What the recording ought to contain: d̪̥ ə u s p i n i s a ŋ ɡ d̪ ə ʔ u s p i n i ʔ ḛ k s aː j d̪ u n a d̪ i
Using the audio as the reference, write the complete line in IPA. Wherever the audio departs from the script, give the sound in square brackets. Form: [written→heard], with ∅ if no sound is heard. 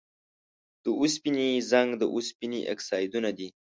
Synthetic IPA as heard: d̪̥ ə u s p i n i [s→z] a ŋ ɡ d̪ ə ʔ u s p i n i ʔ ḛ k s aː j d̪ u n a d̪ i